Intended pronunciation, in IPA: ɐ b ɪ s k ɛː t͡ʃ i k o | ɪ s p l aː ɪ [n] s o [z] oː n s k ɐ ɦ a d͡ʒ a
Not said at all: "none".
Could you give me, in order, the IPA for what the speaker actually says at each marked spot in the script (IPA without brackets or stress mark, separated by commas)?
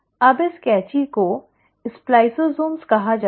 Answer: none, z